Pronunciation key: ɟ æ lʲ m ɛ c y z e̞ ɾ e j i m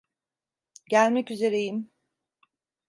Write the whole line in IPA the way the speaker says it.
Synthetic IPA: ɟ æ lʲ m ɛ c y z e̞ ɾ e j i m